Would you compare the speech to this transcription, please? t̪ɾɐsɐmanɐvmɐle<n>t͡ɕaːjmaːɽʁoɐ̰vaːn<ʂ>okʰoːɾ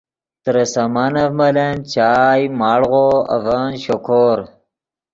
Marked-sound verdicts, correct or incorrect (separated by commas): correct, incorrect